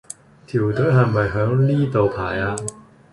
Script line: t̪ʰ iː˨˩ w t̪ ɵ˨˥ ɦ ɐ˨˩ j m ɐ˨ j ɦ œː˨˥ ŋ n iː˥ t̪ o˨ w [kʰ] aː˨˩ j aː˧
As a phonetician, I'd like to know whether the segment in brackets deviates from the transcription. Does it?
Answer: yes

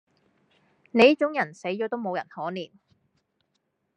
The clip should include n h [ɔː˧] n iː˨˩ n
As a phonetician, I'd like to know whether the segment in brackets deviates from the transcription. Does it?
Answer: yes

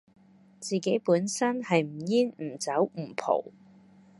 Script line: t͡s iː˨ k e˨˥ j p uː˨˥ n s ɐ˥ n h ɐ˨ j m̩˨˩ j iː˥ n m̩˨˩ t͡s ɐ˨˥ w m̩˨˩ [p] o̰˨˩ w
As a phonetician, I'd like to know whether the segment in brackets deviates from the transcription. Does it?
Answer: yes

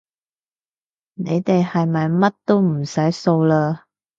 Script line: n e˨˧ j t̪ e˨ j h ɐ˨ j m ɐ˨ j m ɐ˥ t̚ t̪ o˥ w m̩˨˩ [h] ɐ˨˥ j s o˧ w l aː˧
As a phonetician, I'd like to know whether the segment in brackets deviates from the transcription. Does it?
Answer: yes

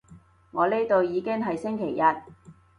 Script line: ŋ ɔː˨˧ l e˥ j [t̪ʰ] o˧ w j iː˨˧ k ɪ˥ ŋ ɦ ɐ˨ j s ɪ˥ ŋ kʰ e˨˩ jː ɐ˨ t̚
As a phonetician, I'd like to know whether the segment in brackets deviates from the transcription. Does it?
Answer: yes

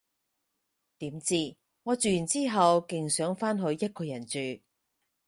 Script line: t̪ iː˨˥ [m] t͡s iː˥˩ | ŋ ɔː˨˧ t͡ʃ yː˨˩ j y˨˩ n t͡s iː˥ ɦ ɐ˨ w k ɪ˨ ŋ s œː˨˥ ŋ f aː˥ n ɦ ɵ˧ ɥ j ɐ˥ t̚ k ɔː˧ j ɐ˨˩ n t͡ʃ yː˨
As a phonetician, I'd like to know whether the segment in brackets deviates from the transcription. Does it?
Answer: no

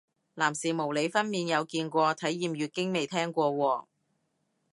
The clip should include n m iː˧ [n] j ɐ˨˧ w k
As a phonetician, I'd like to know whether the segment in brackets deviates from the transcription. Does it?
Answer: no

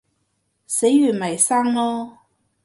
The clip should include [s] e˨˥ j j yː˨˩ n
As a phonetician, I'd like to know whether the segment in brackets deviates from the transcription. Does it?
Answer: no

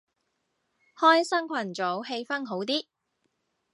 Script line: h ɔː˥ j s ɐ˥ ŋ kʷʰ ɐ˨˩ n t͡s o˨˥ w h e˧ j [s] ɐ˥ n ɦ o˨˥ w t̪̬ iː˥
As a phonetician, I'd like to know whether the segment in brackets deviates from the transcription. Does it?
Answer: yes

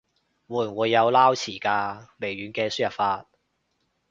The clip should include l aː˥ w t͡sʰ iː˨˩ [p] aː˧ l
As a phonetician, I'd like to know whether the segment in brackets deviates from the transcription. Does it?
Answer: yes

